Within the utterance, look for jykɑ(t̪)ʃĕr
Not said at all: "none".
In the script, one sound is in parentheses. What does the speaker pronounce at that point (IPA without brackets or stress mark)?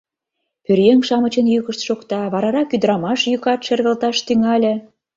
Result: t̪